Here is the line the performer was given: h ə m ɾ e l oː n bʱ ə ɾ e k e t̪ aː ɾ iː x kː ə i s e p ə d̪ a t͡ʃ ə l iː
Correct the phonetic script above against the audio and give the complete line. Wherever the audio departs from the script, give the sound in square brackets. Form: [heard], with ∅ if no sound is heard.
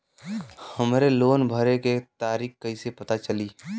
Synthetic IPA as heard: h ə m ɾ e l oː n bʱ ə ɾ e k e t̪ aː ɾ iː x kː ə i s e p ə [t̪] a t͡ʃ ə l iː